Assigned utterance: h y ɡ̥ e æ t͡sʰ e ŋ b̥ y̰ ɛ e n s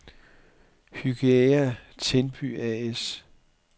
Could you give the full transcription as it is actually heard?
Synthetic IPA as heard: h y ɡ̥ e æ t͡sʰ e n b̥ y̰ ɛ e s